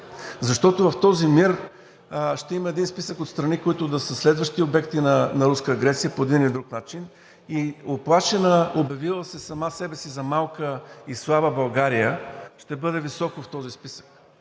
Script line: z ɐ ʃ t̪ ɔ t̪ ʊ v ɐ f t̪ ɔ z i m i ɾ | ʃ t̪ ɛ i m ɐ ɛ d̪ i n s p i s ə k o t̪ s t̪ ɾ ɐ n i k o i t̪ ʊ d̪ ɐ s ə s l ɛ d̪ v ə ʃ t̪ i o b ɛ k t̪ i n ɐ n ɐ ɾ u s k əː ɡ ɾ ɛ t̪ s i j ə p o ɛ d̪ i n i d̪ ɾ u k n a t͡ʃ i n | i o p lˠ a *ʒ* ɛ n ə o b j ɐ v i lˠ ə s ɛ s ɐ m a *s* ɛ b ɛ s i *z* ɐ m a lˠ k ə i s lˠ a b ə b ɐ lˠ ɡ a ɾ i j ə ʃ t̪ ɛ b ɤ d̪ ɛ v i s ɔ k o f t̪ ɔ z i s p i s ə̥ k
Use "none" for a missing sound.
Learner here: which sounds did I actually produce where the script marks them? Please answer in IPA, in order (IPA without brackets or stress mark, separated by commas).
ʃ, s, z